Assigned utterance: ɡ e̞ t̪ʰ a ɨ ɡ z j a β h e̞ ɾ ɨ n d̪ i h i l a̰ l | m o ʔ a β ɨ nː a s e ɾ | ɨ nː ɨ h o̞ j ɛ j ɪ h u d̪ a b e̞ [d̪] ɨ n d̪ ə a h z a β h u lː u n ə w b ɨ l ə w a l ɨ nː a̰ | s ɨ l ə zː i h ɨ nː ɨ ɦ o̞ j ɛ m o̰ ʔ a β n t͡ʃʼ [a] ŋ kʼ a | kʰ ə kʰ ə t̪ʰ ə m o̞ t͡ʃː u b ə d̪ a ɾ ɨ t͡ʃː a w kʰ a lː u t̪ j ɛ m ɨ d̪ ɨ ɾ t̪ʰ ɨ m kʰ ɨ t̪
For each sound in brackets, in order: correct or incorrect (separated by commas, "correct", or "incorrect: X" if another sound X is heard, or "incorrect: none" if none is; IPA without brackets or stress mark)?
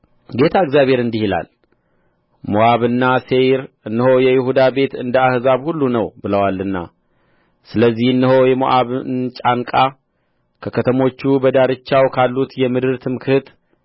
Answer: incorrect: t̪, correct